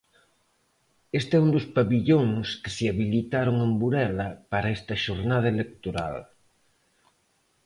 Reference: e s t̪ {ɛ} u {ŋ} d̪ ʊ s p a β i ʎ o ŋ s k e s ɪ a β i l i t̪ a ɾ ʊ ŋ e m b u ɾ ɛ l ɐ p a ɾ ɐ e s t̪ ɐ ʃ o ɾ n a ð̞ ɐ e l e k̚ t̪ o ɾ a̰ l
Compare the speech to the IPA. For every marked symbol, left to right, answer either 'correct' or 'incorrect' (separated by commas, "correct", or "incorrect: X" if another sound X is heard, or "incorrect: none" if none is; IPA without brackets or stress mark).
correct, incorrect: n